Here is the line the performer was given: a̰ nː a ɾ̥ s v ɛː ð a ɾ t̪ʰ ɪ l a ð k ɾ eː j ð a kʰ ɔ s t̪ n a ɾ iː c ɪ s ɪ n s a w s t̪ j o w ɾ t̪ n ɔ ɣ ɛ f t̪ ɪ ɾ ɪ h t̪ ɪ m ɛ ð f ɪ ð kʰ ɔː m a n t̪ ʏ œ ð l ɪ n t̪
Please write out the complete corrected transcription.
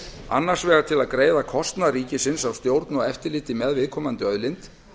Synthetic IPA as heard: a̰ nː a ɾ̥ s v ɛː ɣ a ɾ t̪ʰ ɪ l a ð k ɾ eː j ð a kʰ ɔ s t̪ n a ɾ iː c ɪ s ɪ n s a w s t̪ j o w ɾ t̪ n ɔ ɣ ɛ f t̪ ɪ l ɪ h t̪ ɪ m ɛ ð v ɪ ð kʰ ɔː m a n t̪ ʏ œ ð l ɪ n t̪